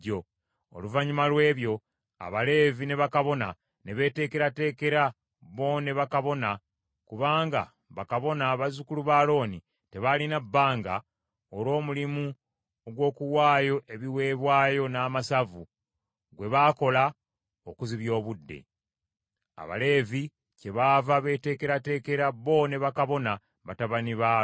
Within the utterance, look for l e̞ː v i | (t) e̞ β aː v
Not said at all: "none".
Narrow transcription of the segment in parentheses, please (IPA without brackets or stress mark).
c